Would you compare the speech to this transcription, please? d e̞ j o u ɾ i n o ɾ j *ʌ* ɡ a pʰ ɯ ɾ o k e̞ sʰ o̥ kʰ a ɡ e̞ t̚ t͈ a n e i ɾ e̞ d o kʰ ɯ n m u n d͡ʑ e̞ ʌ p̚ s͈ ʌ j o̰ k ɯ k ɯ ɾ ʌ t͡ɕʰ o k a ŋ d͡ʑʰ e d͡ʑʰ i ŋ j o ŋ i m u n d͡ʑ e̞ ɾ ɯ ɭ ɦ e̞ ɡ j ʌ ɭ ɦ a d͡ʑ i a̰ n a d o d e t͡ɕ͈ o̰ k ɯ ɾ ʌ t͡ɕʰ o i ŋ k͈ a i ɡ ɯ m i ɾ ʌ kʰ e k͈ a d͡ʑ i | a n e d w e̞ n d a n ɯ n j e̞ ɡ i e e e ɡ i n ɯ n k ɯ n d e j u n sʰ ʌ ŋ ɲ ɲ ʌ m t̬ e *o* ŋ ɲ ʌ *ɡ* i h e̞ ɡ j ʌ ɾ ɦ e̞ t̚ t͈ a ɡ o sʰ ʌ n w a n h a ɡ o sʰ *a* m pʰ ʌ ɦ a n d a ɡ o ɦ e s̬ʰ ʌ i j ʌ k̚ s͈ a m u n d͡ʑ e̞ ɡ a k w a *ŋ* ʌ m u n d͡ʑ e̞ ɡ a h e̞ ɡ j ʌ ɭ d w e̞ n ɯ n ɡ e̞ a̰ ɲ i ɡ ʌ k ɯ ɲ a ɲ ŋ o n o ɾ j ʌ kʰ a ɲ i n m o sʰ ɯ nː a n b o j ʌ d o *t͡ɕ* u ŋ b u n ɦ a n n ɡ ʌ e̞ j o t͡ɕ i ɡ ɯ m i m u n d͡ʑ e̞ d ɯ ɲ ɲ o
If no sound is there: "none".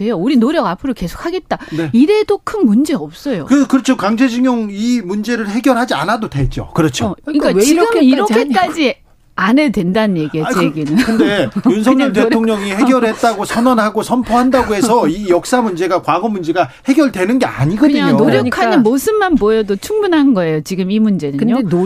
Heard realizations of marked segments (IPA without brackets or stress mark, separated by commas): ʌ, o, ŋ, ʌ, ɡ, t͡ɕʰ